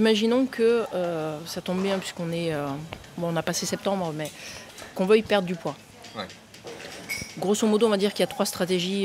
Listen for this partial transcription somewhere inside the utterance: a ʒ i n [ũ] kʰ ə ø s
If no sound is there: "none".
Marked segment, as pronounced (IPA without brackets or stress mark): ɔ̃